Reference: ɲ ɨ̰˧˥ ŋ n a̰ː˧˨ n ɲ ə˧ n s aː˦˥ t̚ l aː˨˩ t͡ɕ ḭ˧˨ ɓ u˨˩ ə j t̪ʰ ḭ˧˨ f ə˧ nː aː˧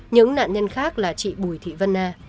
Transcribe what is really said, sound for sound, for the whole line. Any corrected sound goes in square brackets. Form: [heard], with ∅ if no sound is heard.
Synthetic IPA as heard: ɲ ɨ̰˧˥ ŋ n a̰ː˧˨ n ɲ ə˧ n [x] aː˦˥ [k̚] l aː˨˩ t͡ɕ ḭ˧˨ ɓ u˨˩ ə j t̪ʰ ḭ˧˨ [v] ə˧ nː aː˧